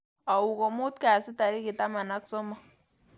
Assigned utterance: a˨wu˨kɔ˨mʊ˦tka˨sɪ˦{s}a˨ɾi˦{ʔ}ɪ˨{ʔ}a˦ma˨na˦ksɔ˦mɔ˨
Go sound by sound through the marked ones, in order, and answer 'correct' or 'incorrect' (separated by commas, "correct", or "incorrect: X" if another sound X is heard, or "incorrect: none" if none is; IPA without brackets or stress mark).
incorrect: t, incorrect: k, incorrect: t